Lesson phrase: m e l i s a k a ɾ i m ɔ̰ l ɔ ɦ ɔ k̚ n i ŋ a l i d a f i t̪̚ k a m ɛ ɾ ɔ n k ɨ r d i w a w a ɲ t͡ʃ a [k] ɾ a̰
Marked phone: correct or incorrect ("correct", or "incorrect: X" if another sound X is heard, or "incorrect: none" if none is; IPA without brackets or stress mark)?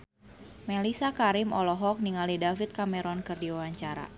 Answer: incorrect: none